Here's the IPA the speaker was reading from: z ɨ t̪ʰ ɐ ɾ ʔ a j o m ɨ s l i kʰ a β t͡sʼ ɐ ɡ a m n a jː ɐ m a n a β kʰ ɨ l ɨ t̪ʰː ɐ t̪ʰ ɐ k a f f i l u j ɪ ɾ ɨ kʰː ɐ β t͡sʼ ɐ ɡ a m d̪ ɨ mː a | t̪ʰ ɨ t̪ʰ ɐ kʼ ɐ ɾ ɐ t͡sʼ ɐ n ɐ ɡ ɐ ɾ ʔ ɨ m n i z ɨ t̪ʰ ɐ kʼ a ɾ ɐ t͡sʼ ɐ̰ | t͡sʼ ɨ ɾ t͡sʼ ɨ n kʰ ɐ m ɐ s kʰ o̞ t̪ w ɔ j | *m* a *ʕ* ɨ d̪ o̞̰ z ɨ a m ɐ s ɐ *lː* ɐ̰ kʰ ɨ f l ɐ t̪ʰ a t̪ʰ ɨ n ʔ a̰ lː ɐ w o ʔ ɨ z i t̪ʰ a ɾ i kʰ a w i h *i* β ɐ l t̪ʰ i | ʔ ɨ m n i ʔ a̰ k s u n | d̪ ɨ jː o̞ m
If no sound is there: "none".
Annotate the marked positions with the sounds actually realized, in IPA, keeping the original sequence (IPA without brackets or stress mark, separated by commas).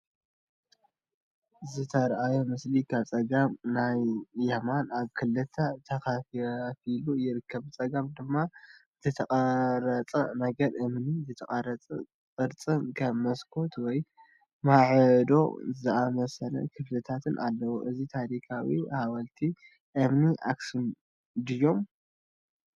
m, ʕ, l, a